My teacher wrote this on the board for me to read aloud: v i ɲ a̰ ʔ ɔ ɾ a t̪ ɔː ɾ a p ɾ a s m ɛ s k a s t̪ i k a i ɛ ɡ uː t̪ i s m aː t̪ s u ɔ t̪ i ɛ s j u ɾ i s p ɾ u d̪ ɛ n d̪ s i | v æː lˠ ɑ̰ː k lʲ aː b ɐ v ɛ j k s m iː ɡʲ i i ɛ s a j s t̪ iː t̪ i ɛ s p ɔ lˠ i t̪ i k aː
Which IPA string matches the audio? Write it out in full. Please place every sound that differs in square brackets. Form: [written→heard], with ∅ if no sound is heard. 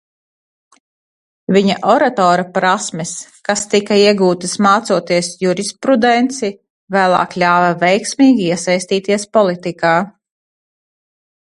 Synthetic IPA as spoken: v i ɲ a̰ ʔ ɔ ɾ a t̪ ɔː ɾ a p ɾ a s m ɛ s k a s t̪ i k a i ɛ ɡ uː t̪ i s m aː t̪ s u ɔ t̪ i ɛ s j u ɾ i s p ɾ u d̪ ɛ n [d̪→t̪] s i | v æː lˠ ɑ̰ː k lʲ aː [b→v] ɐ v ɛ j k s m iː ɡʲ i i ɛ s a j s t̪ iː t̪ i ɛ s p ɔ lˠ i t̪ i k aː